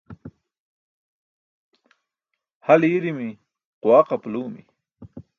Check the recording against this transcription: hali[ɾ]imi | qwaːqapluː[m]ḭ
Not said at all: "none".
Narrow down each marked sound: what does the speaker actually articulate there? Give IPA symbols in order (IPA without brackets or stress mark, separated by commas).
ɾ, m